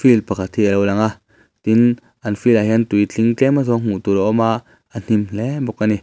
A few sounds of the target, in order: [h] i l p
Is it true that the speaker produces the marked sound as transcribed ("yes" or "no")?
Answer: no